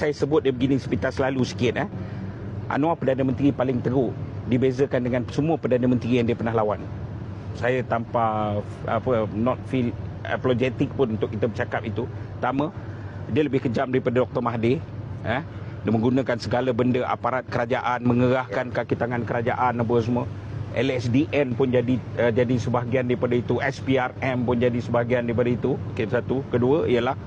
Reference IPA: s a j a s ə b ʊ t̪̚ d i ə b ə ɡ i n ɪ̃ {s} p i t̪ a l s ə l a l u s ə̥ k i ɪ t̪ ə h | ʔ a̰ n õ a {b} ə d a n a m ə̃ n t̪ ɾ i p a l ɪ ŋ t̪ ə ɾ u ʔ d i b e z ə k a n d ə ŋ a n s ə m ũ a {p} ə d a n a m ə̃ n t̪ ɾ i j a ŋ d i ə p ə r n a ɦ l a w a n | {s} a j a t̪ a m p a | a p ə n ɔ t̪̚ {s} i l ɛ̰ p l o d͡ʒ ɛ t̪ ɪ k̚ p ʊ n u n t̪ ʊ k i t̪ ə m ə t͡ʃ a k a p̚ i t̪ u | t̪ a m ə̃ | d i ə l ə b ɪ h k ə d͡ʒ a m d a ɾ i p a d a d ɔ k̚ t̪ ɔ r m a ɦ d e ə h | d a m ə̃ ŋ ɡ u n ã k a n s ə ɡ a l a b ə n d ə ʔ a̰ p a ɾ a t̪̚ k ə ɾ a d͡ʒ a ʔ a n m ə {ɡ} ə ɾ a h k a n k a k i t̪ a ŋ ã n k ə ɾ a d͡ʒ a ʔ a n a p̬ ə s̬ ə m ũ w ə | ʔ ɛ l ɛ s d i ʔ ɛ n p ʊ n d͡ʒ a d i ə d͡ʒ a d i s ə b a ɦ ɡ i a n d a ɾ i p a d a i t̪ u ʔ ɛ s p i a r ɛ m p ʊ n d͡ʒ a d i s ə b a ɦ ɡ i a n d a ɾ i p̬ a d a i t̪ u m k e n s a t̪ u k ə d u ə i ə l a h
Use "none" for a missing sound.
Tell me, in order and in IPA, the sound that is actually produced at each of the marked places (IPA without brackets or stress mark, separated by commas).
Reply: s, p, p, s, f, ŋ